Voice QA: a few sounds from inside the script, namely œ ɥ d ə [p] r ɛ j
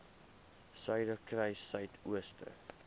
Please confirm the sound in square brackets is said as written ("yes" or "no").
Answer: no